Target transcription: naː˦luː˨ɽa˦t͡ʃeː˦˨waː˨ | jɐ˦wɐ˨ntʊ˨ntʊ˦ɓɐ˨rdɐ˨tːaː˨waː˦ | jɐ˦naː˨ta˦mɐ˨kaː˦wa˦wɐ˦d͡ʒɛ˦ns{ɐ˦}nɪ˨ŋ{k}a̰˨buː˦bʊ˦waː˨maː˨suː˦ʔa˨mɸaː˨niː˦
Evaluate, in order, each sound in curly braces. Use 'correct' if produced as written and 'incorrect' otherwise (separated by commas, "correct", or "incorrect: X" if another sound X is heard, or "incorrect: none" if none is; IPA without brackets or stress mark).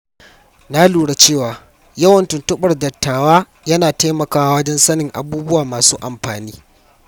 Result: correct, incorrect: ʔ